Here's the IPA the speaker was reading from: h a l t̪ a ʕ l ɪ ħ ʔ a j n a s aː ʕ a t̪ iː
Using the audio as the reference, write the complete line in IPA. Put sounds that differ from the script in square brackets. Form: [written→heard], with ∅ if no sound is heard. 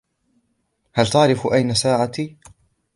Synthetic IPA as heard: h a l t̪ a ʕ [l→ɾ] ɪ [ħ→f] ʔ a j n a s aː ʕ a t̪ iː